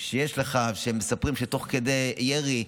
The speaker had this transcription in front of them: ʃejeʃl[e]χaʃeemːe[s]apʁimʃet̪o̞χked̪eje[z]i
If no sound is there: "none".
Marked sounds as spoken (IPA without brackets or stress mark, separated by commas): e, s, ʁ